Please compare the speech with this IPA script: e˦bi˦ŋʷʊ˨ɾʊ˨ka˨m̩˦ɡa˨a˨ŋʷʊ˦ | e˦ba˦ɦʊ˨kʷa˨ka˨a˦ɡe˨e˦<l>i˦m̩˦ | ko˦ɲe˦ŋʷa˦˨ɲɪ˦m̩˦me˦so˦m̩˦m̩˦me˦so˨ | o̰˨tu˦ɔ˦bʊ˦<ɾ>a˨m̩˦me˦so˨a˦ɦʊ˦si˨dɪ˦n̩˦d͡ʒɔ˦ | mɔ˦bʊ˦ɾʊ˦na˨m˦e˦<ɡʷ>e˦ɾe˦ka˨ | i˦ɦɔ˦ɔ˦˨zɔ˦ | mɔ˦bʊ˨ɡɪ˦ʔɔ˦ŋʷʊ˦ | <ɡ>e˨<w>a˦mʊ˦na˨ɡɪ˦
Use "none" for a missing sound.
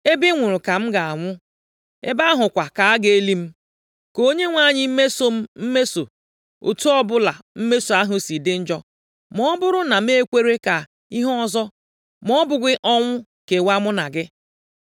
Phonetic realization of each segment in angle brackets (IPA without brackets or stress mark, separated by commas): l, l, kʷ, k, w